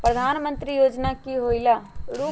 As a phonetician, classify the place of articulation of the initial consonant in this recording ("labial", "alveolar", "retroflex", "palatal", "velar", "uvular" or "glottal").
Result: labial